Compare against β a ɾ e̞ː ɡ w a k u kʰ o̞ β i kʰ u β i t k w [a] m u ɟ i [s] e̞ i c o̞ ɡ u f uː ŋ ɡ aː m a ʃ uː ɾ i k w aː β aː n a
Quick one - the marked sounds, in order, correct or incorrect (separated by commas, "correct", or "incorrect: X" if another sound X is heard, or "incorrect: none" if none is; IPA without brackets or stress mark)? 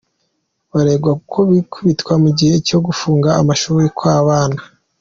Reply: correct, incorrect: h